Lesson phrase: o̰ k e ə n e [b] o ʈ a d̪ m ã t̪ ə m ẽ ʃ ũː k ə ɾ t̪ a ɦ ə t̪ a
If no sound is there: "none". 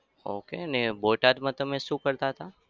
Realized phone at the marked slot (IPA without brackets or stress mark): b